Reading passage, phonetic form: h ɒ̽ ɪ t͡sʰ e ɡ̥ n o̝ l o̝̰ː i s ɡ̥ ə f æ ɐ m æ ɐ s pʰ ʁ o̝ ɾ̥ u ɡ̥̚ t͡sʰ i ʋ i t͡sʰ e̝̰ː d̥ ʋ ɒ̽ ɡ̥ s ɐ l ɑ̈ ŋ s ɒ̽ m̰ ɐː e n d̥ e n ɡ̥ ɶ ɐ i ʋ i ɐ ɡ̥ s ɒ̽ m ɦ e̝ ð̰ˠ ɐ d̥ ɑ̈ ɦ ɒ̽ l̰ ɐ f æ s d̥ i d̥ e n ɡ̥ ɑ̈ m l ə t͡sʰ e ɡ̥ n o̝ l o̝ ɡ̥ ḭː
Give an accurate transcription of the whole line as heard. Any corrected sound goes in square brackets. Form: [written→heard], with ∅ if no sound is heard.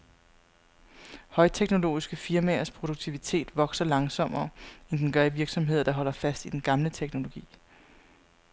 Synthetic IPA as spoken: h ɒ̽ ɪ t͡sʰ e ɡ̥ n o̝ l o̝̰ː i s ɡ̥ ə f [æ→i] ɐ m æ ɐ s pʰ ʁ o̝ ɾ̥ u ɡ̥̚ t͡sʰ i ʋ i t͡sʰ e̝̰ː d̥ ʋ ɒ̽ ɡ̥ s ɐ l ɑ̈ ŋ s ɒ̽ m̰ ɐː e n d̥ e n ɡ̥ ɶ ɐ i ʋ i ɐ ɡ̥ s ɒ̽ m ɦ e̝ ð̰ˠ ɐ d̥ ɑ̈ ɦ ɒ̽ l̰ ɐ f æ s d̥ i d̥ e n ɡ̥ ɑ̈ m l ə t͡sʰ e ɡ̥ n o̝ l o̝ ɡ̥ ḭː